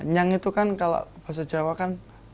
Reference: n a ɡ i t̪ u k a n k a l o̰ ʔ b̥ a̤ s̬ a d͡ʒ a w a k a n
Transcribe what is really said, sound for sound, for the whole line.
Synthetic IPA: ɲ a ŋ i t̪ u k a n k a l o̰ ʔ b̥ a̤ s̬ a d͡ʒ a w a k a n